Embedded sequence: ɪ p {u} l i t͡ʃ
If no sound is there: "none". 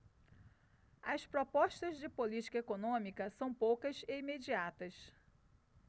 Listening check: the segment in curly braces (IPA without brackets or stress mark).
o